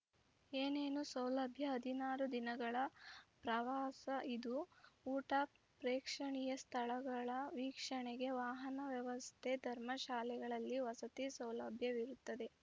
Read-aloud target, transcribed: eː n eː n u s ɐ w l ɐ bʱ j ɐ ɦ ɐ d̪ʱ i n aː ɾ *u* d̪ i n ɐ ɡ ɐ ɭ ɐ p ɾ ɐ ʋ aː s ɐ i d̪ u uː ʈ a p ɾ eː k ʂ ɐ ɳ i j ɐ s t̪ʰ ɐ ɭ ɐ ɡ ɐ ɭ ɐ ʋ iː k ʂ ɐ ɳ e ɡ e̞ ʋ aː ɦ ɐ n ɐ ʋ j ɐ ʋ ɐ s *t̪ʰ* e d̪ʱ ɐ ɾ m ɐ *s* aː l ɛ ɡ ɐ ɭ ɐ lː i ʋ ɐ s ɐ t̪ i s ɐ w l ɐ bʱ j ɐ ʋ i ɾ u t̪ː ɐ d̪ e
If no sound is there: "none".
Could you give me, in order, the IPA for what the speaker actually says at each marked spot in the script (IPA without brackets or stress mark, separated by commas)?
u, t̪ʰ, ʃ